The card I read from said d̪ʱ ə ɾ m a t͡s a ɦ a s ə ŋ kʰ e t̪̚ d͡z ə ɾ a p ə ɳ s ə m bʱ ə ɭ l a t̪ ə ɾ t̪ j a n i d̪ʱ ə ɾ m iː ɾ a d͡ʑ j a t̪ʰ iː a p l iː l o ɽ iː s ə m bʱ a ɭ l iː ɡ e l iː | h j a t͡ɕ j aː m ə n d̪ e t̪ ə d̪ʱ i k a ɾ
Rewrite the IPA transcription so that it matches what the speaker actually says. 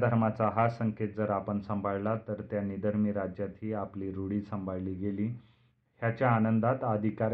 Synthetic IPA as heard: d̪ʱ ə ɾ m a t͡s a ɦ a s ə ŋ k e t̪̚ d͡z ə ɾ a p ə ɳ s ə m bʱ a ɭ l a t̪ ə ɾ t̪ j a n i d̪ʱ ə ɾ m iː ɾ a d͡ʑ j a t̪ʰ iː a p l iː ɾ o ɽ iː s ə m bʱ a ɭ l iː ɡ e l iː | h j a t͡ɕ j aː n ə n d̪ a t̪ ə d̪ʱ i k a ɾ